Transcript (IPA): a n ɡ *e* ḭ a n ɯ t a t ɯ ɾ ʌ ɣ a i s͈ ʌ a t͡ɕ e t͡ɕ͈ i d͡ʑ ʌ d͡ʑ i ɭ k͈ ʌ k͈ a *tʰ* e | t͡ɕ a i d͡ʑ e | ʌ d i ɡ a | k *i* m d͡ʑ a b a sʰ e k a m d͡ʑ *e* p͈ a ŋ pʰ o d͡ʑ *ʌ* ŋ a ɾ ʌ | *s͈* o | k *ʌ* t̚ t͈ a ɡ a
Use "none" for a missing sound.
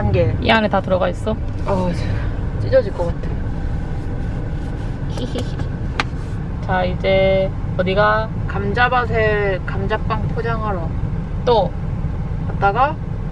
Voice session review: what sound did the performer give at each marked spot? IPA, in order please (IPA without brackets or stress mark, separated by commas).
e, tʰ, a, a, a, t͈, a